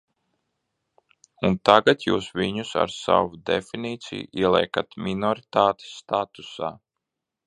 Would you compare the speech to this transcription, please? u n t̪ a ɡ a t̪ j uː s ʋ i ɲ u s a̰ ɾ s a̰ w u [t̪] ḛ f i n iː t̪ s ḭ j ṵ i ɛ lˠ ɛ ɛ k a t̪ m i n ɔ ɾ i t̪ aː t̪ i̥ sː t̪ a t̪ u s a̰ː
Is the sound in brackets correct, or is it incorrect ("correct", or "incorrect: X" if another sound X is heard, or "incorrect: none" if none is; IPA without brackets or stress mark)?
incorrect: d̪